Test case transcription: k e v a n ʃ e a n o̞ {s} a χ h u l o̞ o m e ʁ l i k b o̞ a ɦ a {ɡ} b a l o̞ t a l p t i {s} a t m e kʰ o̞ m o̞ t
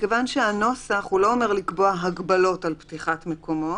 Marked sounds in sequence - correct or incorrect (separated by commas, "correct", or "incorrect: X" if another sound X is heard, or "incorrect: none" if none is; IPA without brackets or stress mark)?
correct, correct, incorrect: χ